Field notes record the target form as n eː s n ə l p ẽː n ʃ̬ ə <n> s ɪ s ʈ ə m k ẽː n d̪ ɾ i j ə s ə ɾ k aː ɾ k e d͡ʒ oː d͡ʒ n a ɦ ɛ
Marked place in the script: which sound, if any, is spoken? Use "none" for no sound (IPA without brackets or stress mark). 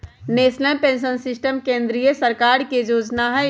n